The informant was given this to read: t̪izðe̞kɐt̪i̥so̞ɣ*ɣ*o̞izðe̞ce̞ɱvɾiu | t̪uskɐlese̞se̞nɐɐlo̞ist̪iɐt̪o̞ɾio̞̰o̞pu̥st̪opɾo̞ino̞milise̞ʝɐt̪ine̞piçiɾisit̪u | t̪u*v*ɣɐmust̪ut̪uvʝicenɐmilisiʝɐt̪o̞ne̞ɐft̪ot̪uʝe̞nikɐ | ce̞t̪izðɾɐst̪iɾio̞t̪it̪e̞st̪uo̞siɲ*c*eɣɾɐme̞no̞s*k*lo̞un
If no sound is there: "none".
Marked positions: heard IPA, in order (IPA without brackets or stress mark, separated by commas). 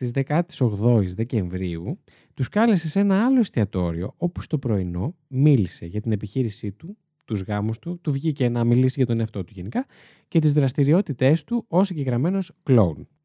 ð, z, ɟ, k